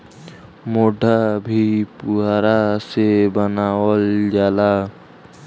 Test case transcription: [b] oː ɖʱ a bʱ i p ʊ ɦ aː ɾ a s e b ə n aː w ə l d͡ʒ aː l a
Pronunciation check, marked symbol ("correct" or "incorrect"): incorrect